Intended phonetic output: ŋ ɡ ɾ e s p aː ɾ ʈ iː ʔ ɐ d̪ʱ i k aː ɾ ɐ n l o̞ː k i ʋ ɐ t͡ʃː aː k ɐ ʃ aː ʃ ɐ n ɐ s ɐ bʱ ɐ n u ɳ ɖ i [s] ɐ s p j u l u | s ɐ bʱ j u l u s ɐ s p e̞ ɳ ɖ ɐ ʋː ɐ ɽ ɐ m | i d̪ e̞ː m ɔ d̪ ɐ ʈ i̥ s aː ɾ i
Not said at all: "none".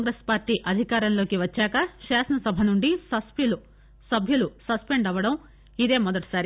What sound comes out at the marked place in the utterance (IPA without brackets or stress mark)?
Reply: s